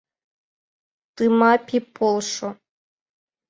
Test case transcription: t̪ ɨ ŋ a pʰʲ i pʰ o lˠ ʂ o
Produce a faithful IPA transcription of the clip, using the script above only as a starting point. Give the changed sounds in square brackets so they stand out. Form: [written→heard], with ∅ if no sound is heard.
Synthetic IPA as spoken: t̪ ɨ [ŋ→m] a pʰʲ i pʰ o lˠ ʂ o